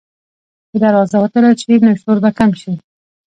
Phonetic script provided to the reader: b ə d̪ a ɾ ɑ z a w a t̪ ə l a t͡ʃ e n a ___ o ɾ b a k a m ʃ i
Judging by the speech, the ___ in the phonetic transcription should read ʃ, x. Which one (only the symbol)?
ʃ